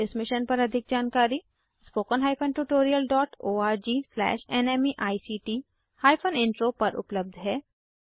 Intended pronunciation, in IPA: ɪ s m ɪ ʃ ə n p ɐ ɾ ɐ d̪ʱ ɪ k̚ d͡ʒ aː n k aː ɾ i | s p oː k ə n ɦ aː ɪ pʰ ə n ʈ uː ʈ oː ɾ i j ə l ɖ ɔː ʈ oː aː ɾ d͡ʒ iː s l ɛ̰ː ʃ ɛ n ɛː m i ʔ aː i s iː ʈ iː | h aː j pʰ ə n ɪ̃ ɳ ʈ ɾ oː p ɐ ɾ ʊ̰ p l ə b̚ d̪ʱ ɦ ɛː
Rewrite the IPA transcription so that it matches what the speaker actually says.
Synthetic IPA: ɪ s m ɪ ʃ ə n p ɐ ɾ ɐ d̪ʱ ɪ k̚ d͡ʒ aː n k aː ɾ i | s p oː k ə n ɦ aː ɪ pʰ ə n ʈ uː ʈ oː ɾ i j ə l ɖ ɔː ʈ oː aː ɾ d͡ʒ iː s l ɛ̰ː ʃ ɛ n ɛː m i ʔ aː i s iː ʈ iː | h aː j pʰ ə n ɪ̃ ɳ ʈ ɾ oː p ɐ ɾ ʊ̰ p l ə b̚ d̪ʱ ɦ ɛː